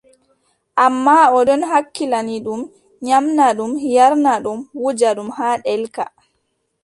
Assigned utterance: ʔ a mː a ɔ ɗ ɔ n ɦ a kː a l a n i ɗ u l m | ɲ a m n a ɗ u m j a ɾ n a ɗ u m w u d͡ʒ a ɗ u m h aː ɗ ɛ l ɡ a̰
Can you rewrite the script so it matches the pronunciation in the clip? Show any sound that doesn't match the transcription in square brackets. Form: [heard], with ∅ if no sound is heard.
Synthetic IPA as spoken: ʔ a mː a ɔ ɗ ɔ n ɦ a kː [i] l a n i ɗ u [∅] m | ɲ a m n a ɗ u m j a ɾ n a ɗ u m w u d͡ʒ a ɗ u m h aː ɗ ɛ l [k] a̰